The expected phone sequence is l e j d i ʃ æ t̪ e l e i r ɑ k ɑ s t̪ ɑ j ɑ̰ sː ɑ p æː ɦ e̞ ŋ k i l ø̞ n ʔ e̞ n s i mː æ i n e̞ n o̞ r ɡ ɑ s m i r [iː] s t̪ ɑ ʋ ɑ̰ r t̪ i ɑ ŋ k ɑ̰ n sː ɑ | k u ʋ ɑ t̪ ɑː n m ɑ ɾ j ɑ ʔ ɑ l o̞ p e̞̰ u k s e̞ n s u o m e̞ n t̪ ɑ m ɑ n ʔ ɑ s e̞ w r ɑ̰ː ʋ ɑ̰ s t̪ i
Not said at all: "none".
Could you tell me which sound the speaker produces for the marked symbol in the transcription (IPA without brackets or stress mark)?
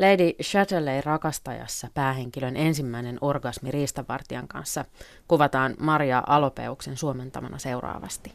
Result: iː